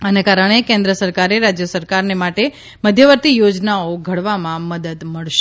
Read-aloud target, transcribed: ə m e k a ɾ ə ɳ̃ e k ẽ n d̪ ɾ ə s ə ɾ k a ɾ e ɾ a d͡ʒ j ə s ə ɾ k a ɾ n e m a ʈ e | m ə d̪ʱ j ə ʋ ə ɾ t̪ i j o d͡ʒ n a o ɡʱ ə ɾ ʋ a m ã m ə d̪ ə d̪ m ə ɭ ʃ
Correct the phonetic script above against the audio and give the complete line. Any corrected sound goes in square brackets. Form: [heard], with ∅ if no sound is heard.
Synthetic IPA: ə [n] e k a ɾ ə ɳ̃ e k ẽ n d̪ ɾ ə s ə ɾ k a ɾ e ɾ a d͡ʒ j ə s ə ɾ k a ɾ n e m a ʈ e | m ə d̪ʱ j ə ʋ ə ɾ t̪ i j o d͡ʒ n a o ɡʱ ə [ɽ] ʋ a m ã m ə d̪ ə d̪ m ə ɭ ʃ